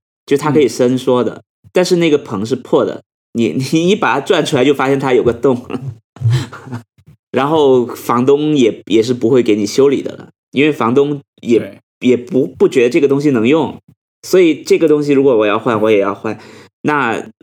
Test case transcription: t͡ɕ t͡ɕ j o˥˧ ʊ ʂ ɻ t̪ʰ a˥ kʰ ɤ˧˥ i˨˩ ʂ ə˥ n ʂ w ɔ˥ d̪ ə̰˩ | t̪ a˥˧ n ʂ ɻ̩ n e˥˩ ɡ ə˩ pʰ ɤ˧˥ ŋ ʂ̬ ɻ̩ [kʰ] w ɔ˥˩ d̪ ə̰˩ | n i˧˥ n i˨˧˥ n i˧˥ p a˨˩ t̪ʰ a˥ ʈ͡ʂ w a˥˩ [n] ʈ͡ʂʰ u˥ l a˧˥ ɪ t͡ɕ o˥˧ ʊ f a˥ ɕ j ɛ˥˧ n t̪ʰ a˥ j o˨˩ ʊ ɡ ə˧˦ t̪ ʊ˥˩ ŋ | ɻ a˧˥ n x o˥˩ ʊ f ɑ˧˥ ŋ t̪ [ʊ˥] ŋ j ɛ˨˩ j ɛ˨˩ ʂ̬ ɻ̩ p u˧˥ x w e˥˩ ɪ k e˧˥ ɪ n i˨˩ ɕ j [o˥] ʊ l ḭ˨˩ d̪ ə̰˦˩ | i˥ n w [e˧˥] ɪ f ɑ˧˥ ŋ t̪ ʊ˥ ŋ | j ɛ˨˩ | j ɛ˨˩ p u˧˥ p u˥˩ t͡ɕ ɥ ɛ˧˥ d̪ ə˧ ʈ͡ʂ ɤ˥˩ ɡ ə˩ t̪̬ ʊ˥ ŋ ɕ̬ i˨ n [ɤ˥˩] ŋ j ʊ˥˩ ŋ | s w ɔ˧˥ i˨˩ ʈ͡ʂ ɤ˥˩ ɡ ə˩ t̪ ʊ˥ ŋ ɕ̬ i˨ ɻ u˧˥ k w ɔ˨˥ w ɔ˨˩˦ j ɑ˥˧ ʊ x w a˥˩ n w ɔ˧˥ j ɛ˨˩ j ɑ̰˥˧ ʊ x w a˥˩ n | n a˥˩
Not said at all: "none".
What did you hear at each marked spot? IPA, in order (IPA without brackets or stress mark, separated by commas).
pʰ, n, ʊ˥, o˥, e˥˩, ɤ˧˥